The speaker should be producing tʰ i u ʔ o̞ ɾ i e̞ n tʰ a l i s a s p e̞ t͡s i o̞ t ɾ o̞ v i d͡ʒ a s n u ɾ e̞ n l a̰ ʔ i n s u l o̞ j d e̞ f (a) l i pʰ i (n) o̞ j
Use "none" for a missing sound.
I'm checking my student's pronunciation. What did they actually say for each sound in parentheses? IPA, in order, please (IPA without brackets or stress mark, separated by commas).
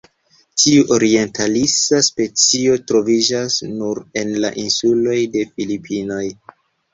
i, n